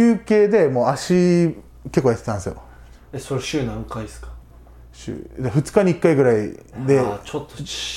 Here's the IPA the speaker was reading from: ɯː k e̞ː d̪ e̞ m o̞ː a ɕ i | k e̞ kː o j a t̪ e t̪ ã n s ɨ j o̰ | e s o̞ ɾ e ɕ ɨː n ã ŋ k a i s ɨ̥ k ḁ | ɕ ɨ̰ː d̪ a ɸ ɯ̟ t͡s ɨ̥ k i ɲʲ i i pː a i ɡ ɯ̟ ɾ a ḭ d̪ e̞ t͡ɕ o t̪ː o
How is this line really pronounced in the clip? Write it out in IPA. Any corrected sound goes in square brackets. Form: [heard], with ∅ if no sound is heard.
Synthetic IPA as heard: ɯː k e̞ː d̪ e̞ m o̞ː a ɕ i | k e̞ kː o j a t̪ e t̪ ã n s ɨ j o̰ | e s o̞ ɾ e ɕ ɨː n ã ŋ k a i s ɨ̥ k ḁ | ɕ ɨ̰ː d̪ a ɸ ɯ̟ t͡s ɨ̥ k [a] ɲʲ i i [kː] a i ɡ ɯ̟ ɾ a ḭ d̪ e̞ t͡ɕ o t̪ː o